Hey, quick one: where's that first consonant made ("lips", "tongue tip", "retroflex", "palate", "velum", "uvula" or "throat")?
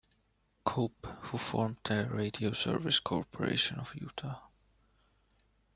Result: velum